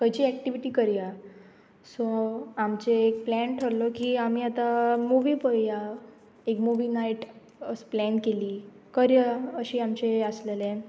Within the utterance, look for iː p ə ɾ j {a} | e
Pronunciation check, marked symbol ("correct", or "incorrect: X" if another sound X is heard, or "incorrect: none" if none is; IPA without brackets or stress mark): correct